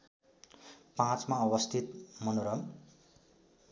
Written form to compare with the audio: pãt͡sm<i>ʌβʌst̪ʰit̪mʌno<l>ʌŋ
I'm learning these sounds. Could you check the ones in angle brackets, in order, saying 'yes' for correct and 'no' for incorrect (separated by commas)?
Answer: no, no